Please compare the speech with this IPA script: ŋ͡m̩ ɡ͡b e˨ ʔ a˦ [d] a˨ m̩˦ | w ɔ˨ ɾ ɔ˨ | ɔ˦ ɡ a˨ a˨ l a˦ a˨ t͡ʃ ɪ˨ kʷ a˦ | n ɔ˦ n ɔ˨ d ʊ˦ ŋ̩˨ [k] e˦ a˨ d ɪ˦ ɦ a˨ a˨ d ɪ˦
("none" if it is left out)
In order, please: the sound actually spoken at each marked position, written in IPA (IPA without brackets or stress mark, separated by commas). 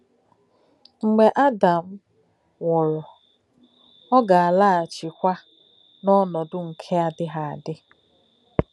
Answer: d, kʰ